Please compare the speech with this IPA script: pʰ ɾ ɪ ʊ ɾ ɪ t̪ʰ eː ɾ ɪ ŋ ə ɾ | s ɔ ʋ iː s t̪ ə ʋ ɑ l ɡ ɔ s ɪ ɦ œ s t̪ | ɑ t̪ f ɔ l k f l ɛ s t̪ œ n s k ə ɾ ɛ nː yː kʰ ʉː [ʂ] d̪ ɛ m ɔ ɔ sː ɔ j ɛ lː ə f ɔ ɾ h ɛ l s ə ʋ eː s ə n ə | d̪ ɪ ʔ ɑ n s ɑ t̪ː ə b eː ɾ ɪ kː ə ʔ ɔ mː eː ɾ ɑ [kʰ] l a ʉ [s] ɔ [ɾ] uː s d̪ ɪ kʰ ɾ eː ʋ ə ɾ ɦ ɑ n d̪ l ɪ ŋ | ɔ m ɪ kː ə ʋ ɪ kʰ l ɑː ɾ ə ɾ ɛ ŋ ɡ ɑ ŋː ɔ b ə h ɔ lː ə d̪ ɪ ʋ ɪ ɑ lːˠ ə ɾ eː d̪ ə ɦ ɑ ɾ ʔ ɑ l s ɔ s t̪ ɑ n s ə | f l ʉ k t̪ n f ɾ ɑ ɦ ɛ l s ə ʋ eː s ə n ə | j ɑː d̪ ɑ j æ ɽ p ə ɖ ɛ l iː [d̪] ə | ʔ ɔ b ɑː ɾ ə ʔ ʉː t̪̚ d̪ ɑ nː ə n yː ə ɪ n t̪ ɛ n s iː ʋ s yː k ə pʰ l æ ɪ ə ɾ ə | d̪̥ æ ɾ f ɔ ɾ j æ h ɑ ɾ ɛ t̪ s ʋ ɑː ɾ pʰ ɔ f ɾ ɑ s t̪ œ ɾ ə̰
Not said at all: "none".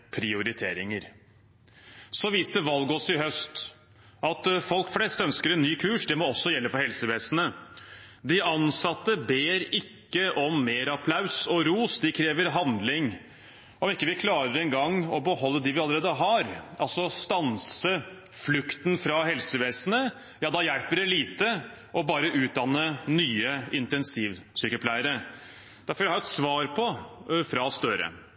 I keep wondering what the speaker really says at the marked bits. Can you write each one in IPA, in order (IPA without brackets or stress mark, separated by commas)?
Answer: ʂ, pʰ, s, ɾ, t̪